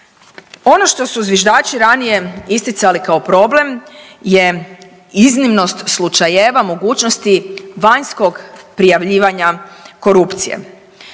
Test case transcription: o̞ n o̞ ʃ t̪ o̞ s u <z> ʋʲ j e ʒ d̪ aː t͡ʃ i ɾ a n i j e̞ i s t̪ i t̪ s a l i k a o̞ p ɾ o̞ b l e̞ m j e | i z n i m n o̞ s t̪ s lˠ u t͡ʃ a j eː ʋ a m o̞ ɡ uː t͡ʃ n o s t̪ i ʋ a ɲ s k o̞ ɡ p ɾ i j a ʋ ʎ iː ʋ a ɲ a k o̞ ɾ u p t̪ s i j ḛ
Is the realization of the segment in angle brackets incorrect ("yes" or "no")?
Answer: no